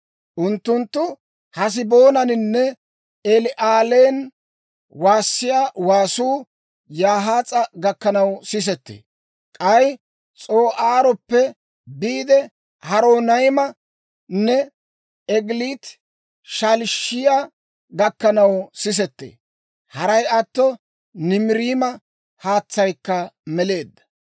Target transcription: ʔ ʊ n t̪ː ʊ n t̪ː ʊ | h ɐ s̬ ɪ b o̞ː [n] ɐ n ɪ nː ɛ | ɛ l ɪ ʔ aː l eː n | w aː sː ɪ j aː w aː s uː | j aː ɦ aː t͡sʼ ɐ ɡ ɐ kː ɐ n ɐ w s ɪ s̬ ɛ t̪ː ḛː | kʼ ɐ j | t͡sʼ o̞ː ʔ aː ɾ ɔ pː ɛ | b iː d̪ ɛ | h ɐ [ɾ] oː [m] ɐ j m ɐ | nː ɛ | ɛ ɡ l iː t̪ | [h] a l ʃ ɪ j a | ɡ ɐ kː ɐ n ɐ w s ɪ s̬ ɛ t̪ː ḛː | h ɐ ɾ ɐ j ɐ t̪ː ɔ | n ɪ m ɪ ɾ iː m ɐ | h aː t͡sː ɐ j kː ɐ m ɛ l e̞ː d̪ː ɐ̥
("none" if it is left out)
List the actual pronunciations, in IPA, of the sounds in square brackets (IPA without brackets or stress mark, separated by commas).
n, ɾ, n, ʃ